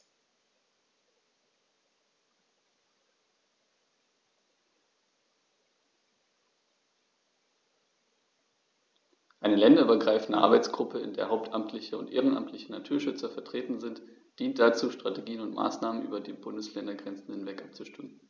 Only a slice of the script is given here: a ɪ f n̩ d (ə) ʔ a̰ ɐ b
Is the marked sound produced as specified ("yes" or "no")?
yes